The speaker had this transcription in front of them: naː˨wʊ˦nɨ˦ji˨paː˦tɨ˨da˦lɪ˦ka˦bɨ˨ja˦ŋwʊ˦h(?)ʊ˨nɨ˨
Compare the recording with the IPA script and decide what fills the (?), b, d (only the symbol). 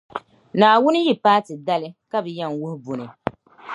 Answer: b